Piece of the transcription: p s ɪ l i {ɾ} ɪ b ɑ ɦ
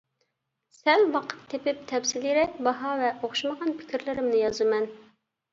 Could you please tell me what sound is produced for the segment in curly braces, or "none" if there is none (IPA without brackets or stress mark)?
ɾ